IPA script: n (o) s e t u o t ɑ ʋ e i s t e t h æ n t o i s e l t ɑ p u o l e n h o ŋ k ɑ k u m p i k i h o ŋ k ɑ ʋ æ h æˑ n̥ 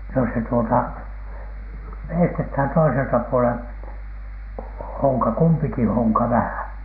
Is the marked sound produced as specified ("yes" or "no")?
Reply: yes